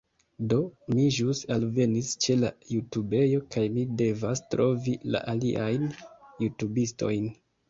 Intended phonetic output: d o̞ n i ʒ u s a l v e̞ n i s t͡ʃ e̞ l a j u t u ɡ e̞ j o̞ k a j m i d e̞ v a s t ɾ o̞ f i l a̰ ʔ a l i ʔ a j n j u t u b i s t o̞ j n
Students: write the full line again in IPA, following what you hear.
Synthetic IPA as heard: d o̞ m i ʒ u s a l v e̞ n i s t͡ʃ e̞ l a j u t u b e̞ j o̞ k a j m i d e̞ v a s t ɾ o̞ v i l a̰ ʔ a l i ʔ a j n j u t u b i s t o̞ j n